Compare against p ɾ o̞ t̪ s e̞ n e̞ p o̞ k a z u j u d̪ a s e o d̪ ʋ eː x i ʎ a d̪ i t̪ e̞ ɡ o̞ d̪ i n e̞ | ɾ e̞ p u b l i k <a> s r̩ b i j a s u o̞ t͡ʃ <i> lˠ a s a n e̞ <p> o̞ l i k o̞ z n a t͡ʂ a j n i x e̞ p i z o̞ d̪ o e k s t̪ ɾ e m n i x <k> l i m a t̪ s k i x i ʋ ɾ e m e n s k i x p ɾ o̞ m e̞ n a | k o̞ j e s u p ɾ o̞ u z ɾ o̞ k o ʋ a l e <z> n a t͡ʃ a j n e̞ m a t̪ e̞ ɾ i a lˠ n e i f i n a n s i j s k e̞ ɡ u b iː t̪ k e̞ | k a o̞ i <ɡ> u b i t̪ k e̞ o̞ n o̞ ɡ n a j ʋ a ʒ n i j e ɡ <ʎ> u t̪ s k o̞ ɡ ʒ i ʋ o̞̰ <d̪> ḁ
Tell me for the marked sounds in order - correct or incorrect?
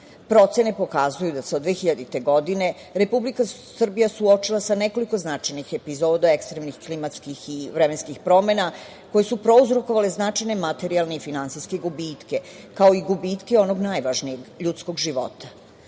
correct, correct, incorrect: k, correct, correct, correct, correct, incorrect: t̪

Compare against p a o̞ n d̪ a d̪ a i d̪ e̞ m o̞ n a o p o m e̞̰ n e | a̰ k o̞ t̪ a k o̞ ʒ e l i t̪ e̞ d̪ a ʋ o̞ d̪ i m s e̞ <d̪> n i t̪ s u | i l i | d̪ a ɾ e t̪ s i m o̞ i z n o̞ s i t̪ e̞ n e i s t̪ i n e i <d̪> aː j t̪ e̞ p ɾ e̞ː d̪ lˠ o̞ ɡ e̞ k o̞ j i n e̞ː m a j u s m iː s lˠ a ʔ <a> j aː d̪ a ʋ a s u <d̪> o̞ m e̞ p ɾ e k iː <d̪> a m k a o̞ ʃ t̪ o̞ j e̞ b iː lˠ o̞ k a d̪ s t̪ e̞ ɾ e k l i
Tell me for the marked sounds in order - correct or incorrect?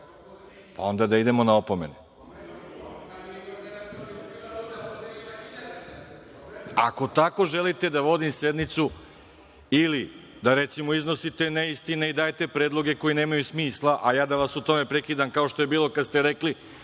correct, correct, correct, incorrect: t̪, correct

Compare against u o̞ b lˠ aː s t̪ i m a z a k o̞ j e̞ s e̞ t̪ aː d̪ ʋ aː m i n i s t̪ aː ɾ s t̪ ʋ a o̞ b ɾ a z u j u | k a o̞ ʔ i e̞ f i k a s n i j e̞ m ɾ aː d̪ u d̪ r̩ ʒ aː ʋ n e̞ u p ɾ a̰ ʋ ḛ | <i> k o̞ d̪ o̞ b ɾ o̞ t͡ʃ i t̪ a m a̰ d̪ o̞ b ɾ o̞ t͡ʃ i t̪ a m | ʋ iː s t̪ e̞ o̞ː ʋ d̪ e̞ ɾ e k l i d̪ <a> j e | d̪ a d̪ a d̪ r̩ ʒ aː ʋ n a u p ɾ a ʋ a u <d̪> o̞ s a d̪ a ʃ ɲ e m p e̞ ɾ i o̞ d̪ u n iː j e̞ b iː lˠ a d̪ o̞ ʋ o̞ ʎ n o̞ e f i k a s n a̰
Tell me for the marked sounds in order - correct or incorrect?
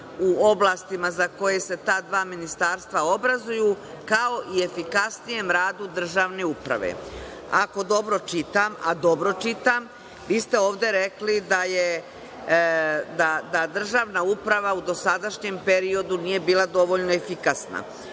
incorrect: a, correct, correct

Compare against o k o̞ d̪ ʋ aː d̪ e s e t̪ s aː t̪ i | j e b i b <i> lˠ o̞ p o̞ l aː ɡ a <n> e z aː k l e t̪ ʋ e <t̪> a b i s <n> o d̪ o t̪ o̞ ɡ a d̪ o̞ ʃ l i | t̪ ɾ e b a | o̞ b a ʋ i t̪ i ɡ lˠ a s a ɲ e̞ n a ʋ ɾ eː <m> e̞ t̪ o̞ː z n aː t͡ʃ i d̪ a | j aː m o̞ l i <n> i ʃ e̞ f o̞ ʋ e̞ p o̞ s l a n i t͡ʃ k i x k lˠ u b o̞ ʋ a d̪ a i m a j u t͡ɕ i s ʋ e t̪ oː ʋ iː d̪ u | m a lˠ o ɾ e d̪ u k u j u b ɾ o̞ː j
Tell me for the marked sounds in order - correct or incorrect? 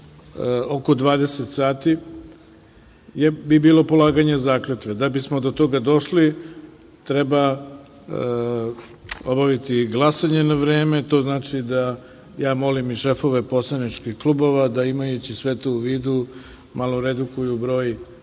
incorrect: iː, incorrect: ɲ, incorrect: d̪, incorrect: m, correct, incorrect: m

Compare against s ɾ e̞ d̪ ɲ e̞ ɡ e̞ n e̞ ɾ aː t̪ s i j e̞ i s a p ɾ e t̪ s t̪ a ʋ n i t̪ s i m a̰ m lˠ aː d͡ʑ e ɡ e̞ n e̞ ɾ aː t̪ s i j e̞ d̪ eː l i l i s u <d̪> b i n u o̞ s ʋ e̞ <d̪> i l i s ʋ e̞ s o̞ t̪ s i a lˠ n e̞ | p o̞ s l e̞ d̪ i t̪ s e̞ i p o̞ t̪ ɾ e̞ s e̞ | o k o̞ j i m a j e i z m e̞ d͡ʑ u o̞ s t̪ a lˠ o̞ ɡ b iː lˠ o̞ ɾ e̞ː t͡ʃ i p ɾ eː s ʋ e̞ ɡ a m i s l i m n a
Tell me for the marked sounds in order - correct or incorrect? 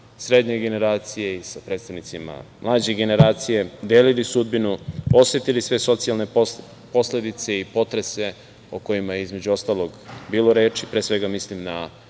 correct, incorrect: t̪

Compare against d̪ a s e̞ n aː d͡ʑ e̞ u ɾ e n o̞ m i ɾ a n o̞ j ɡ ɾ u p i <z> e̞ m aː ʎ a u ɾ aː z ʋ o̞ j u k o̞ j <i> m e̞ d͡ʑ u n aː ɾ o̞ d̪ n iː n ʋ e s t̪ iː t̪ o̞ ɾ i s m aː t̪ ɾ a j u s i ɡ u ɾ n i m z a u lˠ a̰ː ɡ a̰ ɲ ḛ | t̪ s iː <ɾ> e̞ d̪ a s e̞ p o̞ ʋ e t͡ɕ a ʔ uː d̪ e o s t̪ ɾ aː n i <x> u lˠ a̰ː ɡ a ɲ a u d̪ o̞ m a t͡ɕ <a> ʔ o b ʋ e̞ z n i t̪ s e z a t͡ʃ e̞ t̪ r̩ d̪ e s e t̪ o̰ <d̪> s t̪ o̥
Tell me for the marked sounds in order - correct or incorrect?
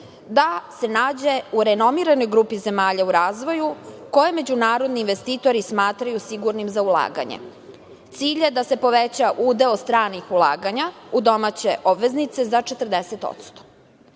correct, incorrect: e, incorrect: ʎ, correct, incorrect: e, incorrect: t̪

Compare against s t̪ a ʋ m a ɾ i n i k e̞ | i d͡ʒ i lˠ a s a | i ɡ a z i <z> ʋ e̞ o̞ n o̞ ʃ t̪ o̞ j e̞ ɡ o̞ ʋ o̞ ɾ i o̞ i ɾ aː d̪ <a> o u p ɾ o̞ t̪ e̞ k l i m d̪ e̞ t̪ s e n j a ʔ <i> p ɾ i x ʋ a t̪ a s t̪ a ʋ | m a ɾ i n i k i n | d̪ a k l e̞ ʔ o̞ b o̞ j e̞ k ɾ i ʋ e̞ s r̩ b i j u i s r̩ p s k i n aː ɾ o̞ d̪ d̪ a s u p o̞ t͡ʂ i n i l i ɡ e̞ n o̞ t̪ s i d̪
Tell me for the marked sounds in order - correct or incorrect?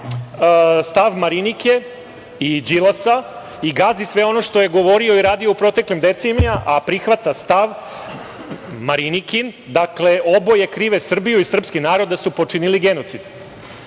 incorrect: s, incorrect: i, incorrect: a

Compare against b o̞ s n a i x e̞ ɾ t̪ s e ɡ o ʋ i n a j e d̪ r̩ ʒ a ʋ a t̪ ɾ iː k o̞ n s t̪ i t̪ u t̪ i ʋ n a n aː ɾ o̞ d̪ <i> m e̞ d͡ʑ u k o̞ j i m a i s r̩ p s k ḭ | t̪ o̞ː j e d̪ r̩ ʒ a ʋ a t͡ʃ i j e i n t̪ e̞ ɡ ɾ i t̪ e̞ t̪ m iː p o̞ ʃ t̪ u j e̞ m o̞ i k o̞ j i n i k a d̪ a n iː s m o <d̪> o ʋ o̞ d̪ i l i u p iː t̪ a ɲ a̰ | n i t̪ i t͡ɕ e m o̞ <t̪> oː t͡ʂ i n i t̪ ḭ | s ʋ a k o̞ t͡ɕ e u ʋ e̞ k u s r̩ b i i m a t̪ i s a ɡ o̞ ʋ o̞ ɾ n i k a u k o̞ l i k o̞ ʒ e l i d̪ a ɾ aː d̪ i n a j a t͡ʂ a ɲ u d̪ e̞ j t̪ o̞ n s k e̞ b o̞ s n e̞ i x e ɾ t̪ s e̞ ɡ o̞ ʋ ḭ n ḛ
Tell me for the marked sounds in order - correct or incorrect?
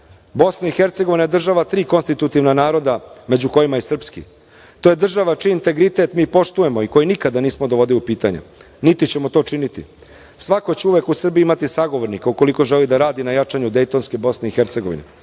incorrect: a, correct, correct

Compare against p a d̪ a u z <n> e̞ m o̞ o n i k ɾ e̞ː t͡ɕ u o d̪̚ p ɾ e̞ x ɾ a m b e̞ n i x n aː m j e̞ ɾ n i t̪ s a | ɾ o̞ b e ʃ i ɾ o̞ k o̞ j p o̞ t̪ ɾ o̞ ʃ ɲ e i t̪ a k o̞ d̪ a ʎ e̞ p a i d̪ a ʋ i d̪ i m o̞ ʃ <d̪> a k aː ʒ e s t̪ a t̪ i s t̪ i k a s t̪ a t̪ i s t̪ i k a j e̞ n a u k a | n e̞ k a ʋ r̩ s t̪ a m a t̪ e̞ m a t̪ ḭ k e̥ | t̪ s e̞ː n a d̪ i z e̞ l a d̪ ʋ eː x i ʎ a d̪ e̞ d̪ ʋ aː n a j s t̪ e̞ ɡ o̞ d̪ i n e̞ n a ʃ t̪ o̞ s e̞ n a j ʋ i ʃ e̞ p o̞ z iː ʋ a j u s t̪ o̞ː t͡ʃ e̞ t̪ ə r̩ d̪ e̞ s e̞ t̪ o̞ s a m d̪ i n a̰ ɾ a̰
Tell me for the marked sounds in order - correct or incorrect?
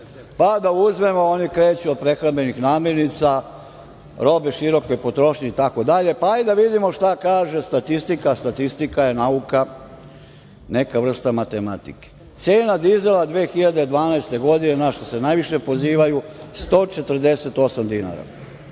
incorrect: m, incorrect: t̪

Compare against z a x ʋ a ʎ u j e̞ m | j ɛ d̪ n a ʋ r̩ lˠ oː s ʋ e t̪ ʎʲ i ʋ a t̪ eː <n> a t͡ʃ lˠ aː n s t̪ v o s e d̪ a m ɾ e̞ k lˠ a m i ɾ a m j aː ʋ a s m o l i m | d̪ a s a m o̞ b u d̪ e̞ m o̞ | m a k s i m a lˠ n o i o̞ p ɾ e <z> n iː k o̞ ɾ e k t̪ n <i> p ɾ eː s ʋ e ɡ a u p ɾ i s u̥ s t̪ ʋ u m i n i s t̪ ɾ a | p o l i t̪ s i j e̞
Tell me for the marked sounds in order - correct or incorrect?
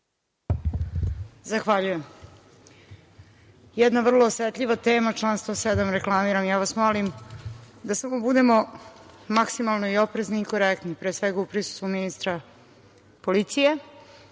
incorrect: m, correct, correct

